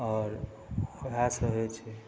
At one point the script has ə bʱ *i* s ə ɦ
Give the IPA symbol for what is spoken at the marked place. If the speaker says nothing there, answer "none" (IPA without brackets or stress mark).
a